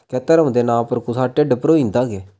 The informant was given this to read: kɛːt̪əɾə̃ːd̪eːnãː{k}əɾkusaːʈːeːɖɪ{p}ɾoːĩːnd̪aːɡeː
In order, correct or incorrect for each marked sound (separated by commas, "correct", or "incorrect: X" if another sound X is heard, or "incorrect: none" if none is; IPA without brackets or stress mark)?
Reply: incorrect: p, correct